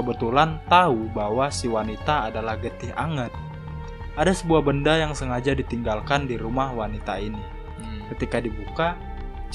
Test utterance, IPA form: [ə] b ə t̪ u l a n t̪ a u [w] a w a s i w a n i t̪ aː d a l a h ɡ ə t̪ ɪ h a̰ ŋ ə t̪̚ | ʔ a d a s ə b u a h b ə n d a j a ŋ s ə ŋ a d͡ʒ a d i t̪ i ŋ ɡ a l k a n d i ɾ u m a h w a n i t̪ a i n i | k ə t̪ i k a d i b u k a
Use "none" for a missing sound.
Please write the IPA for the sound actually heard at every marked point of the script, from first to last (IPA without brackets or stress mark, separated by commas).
ə, b